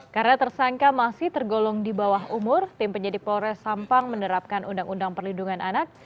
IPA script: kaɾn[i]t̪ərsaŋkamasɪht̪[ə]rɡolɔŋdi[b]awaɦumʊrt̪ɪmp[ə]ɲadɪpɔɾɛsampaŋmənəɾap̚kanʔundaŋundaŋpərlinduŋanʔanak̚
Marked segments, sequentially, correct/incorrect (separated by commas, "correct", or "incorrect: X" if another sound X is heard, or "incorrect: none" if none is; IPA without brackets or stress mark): incorrect: a, correct, correct, correct